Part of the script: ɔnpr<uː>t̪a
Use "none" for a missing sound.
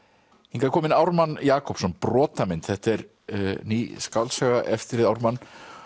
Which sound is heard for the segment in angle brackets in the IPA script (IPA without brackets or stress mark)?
ɔː